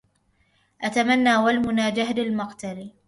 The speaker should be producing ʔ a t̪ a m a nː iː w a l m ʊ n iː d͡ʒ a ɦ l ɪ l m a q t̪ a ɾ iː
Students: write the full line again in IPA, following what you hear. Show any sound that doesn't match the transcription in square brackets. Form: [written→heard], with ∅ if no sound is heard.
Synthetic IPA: ʔ a t̪ a m a nː [iː→aː] w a l m ʊ n [iː→aː] d͡ʒ a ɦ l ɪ l m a q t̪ a [ɾ→l] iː